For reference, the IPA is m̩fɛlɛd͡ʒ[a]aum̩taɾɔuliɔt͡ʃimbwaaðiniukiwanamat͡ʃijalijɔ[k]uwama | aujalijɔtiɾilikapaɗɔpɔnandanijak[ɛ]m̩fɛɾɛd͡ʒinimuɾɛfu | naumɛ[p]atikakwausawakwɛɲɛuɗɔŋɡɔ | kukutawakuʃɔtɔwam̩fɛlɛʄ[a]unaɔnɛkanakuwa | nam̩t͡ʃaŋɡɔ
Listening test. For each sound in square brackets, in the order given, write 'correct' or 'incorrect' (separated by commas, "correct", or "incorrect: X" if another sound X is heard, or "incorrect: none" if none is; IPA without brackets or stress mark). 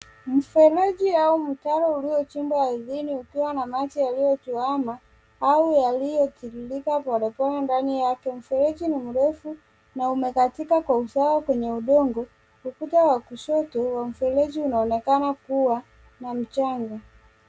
incorrect: i, incorrect: t, correct, incorrect: k, incorrect: i